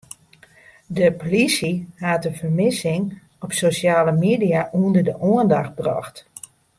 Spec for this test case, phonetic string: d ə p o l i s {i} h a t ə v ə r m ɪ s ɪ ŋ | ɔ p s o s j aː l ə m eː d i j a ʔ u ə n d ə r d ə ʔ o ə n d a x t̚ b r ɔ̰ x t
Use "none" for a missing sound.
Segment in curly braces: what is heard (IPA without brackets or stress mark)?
i